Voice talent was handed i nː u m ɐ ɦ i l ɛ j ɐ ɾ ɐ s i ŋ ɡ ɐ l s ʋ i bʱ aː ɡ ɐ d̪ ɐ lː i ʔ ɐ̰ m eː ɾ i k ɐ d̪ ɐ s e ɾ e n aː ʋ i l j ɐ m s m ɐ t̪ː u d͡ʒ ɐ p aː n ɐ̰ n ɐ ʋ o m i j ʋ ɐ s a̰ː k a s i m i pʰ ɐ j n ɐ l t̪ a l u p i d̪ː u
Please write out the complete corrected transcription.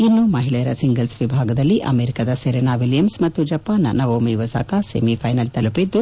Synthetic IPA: i nː u m ɐ ɦ i ɭ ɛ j ɐ ɾ ɐ s i ŋ ɡ ɐ l s ʋ i bʱ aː ɡ ɐ d̪ ɐ lː i ʔ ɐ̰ m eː ɾ i k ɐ d̪ ɐ s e ɾ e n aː ʋ i l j ɐ m s m ɐ t̪ː u d͡ʒ ɐ p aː n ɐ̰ n ɐ ʋ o m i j ʋ ɐ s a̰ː k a s e m i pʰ ɐ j n ɐ l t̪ ɐ l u p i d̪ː u

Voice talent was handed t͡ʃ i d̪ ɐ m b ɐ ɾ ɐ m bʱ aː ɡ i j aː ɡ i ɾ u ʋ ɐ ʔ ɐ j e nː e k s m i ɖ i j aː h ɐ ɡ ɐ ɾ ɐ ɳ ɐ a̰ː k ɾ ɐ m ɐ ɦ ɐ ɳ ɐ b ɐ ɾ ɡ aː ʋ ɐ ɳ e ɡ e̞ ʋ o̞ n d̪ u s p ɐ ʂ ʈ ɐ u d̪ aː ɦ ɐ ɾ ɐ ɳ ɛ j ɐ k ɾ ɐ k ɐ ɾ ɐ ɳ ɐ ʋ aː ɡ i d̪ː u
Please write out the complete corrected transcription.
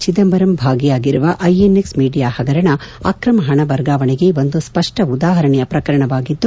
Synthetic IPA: t͡ʃ i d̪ ɐ m b ɐ ɾ ɐ m bʱ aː ɡ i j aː ɡ i ɾ u ʋ ɐ ʔ ɐ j e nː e k s m iː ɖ i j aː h ɐ ɡ ɐ ɾ ɐ ɳ ɐ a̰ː k ɾ ɐ m ɐ ɦ ɐ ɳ ɐ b ɐ ɾ ɡ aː ʋ ɐ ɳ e ɡ e̞ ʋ o̞ n d̪ u s p ɐ ʂ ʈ ɐ u d̪ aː ɦ ɐ ɾ ɐ ɳ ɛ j ɐ p ɾ ɐ k ɐ ɾ ɐ ɳ ɐ ʋ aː ɡ i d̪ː u

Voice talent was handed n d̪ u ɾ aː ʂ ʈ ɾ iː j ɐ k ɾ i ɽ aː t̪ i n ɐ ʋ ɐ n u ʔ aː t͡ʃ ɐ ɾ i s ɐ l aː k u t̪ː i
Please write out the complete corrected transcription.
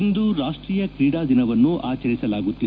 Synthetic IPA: n d̪ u ɾ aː ʂ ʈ ɾ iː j ɐ k ɾ iː ɽ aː d̪ i n ɐ ʋ ɐ nː u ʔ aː t͡ʃ ɐ ɾ i s ɐ l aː ɡ u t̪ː i

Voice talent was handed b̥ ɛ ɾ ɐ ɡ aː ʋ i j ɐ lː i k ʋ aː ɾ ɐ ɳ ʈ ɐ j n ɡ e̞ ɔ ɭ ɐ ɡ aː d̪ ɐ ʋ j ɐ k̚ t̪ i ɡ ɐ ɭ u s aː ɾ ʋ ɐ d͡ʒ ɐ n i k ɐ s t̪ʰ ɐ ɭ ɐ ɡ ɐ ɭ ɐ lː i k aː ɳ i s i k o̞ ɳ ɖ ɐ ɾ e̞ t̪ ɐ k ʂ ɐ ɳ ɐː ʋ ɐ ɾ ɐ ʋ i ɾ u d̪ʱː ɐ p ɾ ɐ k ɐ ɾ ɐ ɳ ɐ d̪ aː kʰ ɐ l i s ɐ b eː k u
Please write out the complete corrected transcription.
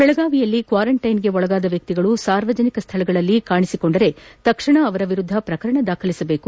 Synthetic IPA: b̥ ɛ ɭ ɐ ɡ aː ʋ i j ɐ lː i k ʋ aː ɾ ɐ ɳ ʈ ɐ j n ɡ e̞ ɔ ɭ ɐ ɡ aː d̪ ɐ ʋ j ɐ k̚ t̪ i ɡ ɐ ɭ u s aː ɾ ʋ ɐ d͡ʒ ɐ n i k ɐ s t̪ʰ ɐ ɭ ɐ ɡ ɐ ɭ ɐ lː i k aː ɳ i s i k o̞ ɳ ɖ ɐ ɾ e̞ t̪ ɐ k ʂ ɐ ɳ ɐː ʋ ɐ ɾ ɐ ʋ i ɾ u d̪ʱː ɐ p ɾ ɐ k ɐ ɾ ɐ ɳ ɐ d̪ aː kʰ ɐ l i s ɐ b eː k u

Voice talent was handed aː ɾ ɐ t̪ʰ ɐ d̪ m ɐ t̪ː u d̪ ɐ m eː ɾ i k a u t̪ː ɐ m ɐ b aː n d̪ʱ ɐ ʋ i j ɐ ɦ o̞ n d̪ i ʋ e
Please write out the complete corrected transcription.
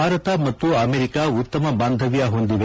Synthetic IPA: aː ɾ ɐ t̪ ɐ m ɐ t̪ː u ɐ m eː ɾ i k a u t̪ː ɐ m ɐ b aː n d̪ʱ ɐ ʋ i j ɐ ɦ o̞ n d̪ i ʋ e

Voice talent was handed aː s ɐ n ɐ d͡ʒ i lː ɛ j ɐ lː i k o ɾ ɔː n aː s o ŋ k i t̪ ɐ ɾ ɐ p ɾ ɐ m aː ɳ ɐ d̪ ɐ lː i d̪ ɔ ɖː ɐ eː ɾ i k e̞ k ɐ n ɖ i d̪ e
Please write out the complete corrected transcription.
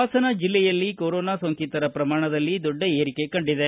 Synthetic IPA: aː s ɐ n ɐ d͡ʒ i lː ɛ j ɐ lː i k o ɾ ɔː n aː s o ŋ k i t̪ ɐ ɾ ɐ p ɾ ɐ m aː ɳ ɐ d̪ ɐ lː i d̪ ɔ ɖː ɐ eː ɾ i k e̞ k ɐ ɳ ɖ i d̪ e

